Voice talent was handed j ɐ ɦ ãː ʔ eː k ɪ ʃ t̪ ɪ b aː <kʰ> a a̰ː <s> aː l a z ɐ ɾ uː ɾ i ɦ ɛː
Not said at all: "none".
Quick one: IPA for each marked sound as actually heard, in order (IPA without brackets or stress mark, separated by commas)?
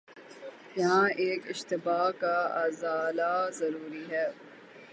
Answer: k, z